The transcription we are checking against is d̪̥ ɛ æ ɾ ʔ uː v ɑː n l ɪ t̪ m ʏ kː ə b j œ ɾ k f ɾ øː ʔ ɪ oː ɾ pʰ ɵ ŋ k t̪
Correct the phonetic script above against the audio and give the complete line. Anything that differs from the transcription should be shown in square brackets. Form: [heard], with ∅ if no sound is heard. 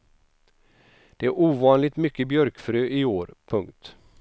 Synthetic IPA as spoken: d̪̥ ɛ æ ɾ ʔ uː v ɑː n l ɪ t̪ m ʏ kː ə b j œ ɾ k f ɾ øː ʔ ɪ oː ɾ pʰ ɵ ŋ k t̪